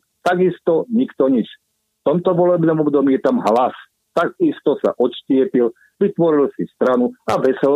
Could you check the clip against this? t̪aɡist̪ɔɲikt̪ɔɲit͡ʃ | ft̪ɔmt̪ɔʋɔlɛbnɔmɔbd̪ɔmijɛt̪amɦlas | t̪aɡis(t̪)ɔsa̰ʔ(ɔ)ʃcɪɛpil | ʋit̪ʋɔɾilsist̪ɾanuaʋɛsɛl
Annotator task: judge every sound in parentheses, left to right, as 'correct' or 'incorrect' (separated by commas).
correct, correct